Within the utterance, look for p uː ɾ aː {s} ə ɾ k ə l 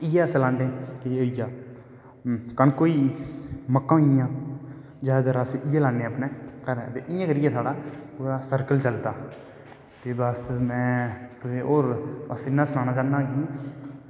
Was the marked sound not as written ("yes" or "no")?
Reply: no